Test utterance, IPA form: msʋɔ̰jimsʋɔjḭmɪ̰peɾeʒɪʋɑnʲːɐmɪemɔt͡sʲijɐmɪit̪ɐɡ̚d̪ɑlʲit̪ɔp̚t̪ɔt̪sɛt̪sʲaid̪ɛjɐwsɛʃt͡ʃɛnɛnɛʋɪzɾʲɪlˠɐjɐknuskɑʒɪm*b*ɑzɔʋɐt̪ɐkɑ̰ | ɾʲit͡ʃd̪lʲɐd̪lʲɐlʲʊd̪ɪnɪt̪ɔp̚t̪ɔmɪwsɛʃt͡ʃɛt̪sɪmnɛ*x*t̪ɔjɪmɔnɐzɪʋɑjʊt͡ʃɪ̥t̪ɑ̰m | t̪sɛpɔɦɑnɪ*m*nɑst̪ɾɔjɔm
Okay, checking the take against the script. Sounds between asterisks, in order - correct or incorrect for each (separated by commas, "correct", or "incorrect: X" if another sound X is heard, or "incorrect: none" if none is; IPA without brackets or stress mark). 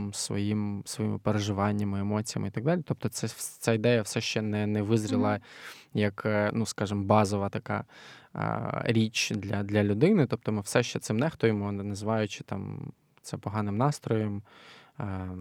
correct, correct, correct